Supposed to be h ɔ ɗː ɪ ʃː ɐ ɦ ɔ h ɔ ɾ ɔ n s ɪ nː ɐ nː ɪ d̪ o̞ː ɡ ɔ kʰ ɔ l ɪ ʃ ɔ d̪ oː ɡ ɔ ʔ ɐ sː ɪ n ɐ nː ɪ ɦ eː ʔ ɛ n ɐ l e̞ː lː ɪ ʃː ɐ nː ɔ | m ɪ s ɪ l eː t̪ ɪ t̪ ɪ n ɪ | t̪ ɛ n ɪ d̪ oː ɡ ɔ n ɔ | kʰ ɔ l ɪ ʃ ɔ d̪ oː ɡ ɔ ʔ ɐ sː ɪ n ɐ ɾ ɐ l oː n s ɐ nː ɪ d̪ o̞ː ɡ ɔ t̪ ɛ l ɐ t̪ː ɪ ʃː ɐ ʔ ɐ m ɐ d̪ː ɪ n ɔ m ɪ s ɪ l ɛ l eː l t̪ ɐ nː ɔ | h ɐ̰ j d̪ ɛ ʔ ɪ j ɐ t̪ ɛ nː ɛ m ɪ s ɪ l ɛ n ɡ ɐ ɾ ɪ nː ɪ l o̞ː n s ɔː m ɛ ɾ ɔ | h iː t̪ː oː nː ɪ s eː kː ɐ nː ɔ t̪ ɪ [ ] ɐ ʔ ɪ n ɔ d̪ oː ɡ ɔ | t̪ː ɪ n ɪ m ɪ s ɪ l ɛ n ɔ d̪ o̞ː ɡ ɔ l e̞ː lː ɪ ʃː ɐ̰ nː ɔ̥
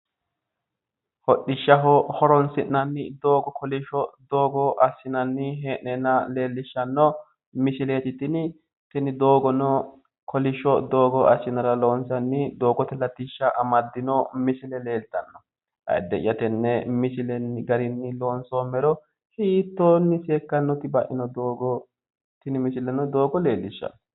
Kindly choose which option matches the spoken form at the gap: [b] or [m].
b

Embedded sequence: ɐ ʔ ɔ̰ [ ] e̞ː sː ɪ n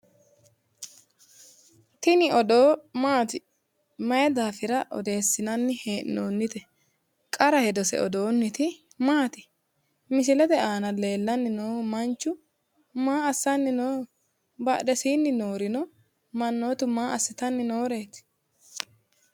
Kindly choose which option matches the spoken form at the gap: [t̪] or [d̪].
d̪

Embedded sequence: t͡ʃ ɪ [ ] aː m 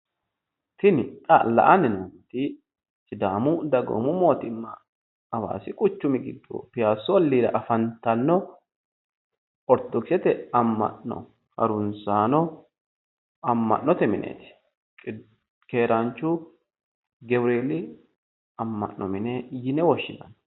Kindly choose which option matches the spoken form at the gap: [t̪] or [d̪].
d̪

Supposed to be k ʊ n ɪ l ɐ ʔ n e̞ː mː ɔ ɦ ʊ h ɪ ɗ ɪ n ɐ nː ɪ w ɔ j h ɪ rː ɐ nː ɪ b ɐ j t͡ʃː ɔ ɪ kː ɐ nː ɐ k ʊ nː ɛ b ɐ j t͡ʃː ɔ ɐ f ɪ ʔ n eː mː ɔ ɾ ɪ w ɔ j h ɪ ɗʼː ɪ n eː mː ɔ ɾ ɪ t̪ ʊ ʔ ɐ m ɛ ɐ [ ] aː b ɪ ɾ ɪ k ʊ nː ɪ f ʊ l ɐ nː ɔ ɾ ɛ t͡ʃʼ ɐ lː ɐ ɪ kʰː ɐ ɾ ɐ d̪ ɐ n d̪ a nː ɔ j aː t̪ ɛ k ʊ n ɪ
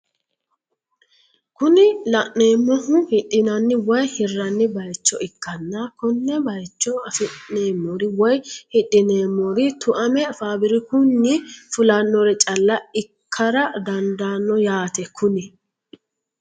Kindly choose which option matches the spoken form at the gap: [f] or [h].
f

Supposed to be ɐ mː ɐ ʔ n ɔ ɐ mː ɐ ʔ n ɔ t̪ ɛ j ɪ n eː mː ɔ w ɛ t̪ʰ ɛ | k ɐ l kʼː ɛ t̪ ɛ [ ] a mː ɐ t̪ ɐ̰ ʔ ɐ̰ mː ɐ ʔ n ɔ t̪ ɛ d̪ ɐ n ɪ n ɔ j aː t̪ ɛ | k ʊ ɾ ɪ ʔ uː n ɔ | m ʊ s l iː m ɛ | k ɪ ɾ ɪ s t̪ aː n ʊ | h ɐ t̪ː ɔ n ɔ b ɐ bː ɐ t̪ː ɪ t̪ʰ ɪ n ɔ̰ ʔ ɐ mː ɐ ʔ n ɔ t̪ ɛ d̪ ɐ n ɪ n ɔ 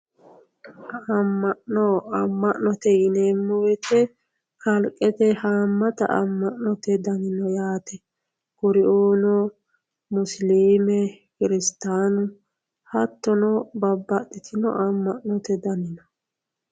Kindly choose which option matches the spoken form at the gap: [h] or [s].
h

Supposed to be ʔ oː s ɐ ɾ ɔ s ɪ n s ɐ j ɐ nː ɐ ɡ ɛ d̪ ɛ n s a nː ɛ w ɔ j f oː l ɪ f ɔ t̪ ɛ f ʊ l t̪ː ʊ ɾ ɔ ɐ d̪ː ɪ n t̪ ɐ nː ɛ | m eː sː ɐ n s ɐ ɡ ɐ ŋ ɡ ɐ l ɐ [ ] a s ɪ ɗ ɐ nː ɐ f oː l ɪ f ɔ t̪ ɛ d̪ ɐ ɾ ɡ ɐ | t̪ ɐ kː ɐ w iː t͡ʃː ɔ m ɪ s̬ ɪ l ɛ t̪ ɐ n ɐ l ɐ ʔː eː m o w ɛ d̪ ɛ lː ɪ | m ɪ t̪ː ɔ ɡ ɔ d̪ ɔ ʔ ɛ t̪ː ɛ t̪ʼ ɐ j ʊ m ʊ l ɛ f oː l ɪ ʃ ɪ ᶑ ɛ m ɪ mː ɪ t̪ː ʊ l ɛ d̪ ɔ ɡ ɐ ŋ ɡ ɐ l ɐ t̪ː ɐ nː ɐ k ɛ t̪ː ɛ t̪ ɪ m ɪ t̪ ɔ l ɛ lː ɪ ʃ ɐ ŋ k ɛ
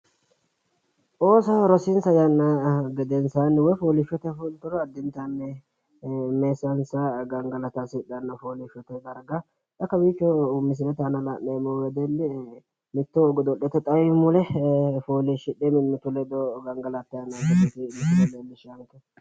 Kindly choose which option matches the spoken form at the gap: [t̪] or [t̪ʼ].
t̪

